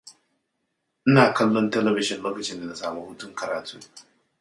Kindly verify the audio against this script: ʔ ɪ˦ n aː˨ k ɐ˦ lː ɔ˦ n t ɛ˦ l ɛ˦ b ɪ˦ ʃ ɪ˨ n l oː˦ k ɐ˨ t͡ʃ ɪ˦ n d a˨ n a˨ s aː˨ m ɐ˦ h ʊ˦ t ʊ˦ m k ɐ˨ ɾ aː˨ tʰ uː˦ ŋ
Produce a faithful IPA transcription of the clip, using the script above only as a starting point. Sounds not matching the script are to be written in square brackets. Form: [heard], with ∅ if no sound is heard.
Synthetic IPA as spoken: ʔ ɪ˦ n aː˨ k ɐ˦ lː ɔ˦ n t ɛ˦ l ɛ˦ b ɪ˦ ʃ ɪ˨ n l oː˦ k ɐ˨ t͡ʃ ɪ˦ n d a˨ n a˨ s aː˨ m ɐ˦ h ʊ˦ t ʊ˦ [ŋ] k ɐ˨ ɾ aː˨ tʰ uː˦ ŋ

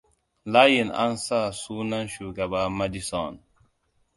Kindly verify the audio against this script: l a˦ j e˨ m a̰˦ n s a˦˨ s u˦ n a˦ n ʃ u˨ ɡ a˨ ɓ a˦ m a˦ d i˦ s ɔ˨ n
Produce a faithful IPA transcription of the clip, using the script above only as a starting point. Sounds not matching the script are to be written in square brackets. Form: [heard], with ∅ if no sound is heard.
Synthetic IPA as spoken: l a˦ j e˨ [n] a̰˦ n s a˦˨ s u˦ n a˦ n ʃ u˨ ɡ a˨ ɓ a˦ m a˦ d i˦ s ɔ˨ n

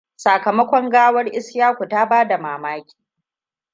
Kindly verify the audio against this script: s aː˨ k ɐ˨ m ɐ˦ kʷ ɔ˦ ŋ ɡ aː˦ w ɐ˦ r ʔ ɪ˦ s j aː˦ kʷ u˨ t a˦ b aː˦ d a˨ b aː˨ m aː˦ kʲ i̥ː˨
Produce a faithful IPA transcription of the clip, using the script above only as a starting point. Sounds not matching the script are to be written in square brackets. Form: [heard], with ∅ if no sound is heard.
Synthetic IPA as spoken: s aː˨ k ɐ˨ m ɐ˦ kʷ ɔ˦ ŋ ɡ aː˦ w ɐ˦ r ʔ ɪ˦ s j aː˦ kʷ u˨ t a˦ b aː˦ d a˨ [m] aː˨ m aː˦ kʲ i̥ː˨

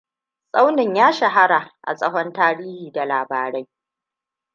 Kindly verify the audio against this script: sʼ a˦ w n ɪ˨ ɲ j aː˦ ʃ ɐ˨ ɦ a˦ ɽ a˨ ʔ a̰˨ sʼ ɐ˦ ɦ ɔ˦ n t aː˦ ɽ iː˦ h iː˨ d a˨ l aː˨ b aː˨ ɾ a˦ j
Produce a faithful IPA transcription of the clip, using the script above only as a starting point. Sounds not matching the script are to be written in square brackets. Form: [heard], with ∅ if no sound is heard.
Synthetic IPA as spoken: sʼ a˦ w n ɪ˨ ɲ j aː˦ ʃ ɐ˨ ɦ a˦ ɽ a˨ ʔ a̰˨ sʼ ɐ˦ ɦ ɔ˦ n t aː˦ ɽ iː˦ h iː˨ d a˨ l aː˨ b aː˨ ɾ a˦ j

